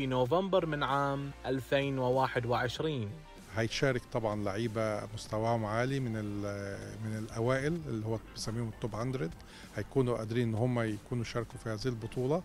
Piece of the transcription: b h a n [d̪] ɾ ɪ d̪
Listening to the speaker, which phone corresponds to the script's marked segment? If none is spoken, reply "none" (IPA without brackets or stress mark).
d̪